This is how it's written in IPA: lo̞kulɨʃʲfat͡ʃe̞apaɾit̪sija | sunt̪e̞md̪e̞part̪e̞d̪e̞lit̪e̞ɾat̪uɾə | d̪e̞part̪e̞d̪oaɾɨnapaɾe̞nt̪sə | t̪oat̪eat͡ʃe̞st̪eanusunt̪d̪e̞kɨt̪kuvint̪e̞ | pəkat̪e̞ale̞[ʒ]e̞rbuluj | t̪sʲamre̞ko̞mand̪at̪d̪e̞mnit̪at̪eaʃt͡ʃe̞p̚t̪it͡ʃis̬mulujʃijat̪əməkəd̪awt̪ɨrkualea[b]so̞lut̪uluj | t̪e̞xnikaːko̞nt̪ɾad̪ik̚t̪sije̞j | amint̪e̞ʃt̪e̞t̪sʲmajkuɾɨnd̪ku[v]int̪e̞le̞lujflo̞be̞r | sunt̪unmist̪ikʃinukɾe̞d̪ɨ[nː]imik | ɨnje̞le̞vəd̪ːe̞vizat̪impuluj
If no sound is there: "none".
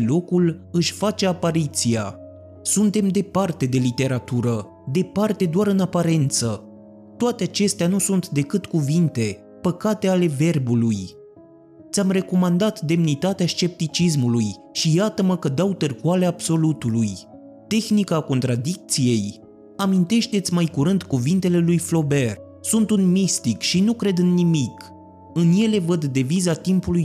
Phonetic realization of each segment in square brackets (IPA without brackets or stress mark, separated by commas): v, b, v, nː